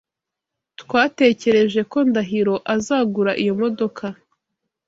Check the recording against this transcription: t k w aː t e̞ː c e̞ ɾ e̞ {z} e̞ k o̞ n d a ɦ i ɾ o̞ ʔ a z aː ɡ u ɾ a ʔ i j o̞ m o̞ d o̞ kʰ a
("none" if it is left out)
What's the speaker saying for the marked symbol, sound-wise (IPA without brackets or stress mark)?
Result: ʒ